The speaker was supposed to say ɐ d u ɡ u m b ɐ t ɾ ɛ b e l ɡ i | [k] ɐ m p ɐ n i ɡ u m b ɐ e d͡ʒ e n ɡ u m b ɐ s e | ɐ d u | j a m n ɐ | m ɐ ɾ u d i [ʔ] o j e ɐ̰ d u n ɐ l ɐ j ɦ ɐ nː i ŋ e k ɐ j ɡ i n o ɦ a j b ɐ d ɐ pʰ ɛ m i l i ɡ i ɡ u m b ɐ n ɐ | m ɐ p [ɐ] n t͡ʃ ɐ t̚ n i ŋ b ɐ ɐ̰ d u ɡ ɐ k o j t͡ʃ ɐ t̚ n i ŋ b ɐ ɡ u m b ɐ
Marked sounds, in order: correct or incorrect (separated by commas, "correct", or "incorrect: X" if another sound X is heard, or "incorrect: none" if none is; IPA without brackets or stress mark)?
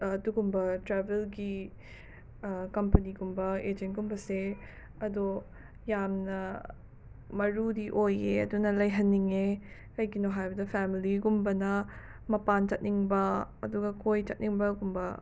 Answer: correct, correct, incorrect: a